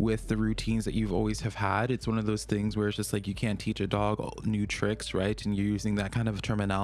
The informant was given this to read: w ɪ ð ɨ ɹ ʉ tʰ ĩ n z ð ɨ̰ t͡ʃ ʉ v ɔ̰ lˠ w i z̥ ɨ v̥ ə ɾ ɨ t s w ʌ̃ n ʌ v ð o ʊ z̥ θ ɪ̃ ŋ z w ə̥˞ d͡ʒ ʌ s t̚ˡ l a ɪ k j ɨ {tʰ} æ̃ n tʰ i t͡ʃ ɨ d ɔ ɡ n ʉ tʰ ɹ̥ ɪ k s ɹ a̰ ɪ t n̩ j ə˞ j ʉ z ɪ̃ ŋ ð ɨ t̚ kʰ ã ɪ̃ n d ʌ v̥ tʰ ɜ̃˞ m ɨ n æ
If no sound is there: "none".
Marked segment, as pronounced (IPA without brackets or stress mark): kʰ